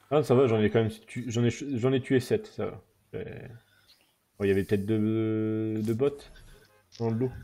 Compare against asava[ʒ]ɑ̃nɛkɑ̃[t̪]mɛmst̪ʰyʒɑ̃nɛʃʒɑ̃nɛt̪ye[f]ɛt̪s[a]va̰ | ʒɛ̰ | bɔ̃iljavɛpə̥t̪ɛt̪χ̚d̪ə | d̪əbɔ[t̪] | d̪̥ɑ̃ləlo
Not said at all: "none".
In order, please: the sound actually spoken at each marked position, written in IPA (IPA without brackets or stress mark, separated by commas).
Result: ʒ, none, s, a, t̪